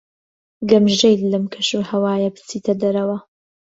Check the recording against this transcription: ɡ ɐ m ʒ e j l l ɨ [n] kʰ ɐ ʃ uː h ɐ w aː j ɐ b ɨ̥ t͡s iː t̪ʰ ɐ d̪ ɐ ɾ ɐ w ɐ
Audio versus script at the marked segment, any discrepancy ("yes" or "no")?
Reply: yes